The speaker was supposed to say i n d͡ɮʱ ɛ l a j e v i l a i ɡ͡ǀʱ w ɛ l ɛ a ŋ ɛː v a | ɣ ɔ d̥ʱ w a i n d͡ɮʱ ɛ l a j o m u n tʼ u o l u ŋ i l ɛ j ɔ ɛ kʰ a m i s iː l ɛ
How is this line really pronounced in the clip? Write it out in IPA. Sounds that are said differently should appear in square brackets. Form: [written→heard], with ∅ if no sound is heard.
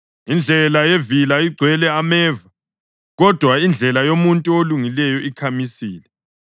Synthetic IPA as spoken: i n d͡ɮʱ ɛ l a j e v i l a i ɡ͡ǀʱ w ɛ l ɛ a [ŋ→m] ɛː v a | ɣ ɔ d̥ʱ w a i n d͡ɮʱ ɛ l a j o m u n tʼ u o l u ŋ i l ɛ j ɔ [ɛ→i] kʰ a m i s iː l ɛ